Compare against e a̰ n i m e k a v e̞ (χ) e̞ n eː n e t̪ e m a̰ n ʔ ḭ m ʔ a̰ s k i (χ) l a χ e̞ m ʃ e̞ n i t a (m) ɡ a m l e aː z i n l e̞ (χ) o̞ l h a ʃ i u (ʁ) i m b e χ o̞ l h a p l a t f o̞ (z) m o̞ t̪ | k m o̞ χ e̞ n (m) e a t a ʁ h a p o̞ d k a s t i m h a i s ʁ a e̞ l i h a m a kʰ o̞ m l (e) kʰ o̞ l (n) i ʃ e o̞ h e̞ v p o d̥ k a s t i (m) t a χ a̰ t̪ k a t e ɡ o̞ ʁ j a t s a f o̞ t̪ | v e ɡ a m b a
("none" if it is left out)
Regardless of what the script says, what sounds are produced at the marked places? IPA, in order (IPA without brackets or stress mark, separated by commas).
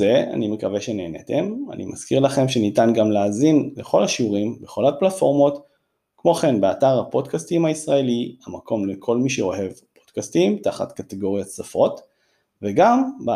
ʃ, ʁ, n, χ, ʁ, ʁ, b, e, m, m